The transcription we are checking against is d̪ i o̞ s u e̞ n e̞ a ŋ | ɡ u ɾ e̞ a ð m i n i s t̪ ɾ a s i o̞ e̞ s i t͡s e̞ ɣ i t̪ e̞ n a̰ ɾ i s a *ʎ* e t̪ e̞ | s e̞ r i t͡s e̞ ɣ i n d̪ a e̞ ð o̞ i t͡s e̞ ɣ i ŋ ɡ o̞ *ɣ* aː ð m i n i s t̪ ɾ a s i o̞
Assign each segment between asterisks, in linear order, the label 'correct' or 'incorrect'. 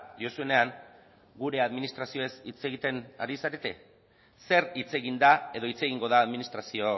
incorrect: ɾ, incorrect: ð

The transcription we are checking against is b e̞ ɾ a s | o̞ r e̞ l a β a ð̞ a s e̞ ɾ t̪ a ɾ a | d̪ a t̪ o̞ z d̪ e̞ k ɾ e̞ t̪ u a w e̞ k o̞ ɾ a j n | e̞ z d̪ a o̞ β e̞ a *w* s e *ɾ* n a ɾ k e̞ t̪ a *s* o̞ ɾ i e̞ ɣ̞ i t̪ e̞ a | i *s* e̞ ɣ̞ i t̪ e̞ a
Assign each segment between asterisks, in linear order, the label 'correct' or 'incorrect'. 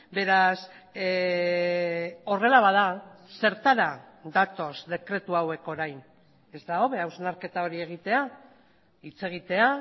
correct, incorrect: none, incorrect: none, incorrect: t͡s

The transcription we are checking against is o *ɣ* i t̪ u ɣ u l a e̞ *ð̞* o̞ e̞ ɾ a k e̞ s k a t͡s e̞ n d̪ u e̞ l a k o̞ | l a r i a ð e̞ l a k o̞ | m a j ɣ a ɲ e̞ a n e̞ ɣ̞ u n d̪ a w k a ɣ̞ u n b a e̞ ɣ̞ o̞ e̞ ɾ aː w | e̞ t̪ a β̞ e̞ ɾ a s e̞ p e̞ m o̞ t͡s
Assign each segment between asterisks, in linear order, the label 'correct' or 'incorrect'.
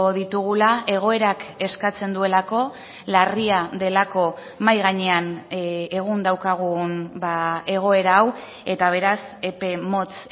incorrect: ð, incorrect: ɣ̞

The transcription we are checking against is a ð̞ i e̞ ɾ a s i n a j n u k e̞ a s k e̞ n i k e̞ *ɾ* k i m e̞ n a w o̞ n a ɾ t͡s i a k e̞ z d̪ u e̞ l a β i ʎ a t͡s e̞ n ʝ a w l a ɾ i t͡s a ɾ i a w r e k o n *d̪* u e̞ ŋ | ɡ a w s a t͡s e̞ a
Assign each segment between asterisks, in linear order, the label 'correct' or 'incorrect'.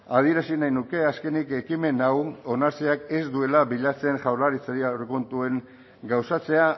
incorrect: none, incorrect: t̪

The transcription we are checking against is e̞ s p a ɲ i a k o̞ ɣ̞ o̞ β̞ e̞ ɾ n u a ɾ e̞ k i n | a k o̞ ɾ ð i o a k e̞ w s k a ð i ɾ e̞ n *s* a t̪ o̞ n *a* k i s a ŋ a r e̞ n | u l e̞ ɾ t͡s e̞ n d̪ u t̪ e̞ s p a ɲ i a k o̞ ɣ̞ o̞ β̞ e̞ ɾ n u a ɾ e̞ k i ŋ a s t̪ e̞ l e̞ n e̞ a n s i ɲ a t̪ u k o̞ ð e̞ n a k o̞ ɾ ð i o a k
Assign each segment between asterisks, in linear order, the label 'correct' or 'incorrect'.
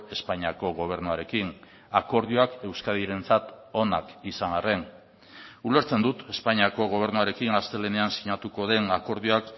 incorrect: t͡s, correct

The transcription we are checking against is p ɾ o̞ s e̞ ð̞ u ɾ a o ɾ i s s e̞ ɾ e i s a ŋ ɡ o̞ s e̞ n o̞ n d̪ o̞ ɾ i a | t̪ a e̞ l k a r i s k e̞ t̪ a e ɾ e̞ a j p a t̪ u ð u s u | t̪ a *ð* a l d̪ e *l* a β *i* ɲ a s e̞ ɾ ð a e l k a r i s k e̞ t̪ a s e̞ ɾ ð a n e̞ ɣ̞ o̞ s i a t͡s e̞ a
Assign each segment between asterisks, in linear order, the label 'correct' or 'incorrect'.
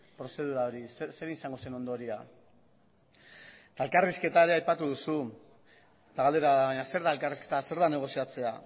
incorrect: ɣ, incorrect: ɾ, incorrect: a

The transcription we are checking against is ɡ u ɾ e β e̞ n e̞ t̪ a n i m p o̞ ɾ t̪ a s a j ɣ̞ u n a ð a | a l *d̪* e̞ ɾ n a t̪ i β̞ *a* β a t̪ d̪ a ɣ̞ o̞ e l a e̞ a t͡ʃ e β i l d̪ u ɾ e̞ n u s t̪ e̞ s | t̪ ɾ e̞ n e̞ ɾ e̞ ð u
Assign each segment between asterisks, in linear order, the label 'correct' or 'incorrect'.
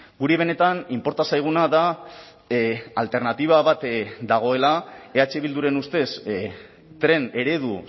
incorrect: t̪, correct

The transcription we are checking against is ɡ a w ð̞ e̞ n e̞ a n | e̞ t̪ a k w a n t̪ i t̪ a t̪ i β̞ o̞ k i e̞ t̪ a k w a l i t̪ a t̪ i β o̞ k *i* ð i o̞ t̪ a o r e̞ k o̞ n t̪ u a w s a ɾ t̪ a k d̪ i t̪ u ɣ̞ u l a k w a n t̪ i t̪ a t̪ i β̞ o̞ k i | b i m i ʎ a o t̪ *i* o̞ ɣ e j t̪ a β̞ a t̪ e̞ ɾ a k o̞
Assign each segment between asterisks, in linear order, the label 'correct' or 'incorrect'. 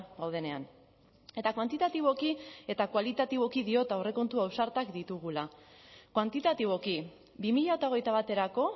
correct, incorrect: a

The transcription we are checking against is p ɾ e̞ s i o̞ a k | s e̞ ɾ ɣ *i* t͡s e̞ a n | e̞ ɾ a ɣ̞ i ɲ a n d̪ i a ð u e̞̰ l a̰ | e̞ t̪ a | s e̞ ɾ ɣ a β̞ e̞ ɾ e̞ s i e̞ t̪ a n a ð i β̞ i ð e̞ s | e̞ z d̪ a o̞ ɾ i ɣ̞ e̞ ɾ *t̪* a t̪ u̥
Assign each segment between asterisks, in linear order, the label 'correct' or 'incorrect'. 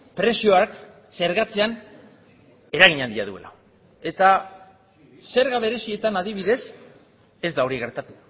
incorrect: a, correct

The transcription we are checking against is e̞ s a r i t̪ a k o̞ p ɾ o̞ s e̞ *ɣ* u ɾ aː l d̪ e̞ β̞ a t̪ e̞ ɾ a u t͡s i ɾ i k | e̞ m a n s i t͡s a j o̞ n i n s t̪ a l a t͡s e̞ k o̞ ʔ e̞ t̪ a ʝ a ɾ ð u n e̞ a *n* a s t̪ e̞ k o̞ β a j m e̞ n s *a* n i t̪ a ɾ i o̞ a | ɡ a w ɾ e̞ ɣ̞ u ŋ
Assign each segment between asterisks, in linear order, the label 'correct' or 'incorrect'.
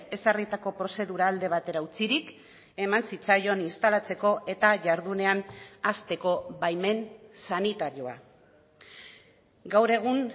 incorrect: ð, correct, correct

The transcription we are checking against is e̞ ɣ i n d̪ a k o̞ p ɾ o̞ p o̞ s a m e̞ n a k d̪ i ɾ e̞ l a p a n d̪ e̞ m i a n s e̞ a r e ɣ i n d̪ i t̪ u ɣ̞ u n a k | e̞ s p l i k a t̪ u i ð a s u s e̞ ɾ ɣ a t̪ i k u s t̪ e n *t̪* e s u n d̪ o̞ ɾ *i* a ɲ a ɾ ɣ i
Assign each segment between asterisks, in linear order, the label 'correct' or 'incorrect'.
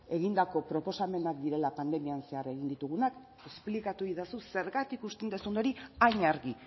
incorrect: d̪, correct

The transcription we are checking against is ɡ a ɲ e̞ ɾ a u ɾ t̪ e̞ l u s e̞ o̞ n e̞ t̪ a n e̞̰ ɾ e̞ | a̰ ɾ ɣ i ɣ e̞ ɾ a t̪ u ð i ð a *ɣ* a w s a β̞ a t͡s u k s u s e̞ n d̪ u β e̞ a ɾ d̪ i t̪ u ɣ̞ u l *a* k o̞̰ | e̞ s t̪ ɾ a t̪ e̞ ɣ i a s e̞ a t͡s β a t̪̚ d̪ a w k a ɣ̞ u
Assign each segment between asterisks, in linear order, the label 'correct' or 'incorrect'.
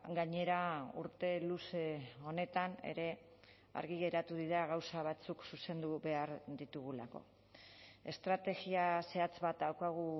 correct, correct

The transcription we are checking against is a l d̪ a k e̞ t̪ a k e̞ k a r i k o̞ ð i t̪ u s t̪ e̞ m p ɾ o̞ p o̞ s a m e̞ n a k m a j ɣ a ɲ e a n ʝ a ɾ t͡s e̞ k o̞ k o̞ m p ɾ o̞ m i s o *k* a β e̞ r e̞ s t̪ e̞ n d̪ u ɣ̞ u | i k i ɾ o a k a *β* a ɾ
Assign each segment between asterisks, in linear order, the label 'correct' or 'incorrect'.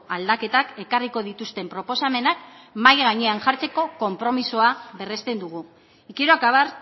incorrect: none, correct

